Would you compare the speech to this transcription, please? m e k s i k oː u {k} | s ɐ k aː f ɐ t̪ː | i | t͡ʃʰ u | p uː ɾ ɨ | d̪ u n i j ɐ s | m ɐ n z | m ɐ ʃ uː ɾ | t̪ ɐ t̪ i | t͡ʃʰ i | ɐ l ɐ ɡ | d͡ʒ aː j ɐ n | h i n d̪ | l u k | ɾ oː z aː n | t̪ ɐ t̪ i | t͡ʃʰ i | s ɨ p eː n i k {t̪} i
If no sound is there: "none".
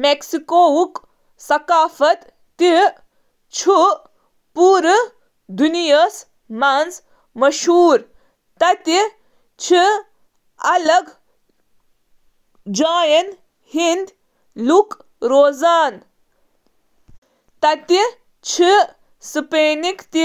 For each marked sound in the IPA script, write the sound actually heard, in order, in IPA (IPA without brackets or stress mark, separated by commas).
k, t̪